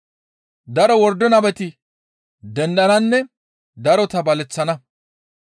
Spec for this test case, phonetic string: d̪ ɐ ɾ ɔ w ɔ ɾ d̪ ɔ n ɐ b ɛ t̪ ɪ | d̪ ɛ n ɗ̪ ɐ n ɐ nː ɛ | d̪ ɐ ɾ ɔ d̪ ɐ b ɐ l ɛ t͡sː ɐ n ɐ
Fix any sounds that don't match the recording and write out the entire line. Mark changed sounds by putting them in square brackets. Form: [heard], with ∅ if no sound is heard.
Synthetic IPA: d̪ ɐ ɾ ɔ w ɔ ɾ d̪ ɔ n ɐ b ɛ t̪ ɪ | d̪ ɛ n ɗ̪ ɐ n ɐ nː ɛ | d̪ ɐ ɾ ɔ [t̪] ɐ b ɐ l ɛ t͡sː ɐ n ɐ